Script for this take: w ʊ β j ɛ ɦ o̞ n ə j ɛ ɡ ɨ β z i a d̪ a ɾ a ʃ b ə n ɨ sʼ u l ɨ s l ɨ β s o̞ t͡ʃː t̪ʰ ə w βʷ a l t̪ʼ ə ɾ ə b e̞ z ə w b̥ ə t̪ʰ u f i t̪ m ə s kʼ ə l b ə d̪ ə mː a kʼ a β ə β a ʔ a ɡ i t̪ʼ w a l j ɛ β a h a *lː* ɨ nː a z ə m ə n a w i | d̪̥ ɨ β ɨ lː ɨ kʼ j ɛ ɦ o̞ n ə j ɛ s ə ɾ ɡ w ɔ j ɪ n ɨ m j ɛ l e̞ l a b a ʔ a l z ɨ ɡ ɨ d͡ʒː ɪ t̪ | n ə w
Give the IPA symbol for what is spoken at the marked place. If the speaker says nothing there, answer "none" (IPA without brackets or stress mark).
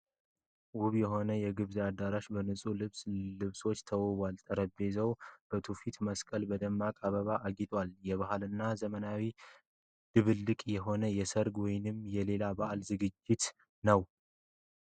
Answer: l